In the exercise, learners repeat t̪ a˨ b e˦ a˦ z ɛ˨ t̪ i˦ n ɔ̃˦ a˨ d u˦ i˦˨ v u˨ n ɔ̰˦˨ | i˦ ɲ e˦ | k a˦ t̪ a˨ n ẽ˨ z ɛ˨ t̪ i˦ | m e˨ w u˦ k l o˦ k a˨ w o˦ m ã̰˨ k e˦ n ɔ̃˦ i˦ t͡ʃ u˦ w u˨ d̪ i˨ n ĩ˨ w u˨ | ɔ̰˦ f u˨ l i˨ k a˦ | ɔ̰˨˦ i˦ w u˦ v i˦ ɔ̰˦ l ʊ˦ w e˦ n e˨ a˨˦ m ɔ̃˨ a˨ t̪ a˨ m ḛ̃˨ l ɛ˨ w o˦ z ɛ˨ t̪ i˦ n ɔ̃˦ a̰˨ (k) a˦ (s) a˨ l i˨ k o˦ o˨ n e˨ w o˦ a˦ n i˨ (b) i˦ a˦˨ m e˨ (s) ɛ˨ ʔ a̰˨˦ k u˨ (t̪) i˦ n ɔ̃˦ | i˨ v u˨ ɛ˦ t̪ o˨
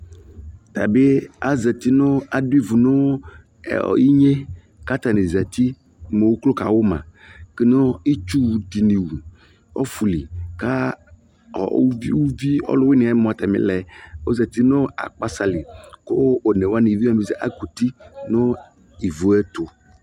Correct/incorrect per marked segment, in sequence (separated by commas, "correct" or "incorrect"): incorrect, correct, incorrect, incorrect, correct